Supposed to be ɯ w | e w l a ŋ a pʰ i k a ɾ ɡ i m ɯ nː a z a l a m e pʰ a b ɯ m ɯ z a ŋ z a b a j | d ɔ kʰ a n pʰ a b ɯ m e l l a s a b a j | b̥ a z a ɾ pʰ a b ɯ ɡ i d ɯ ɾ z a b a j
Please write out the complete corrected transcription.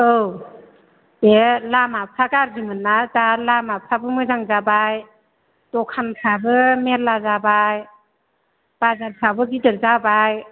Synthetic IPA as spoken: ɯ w | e l a m a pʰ a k a ɾ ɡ i m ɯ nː a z a l a m a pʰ a b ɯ m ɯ z a ŋ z a b a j | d ɔ kʰ a n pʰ a b ɯ m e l l a z a b a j | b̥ a z a ɾ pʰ a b ɯ ɡ i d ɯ ɾ z a b a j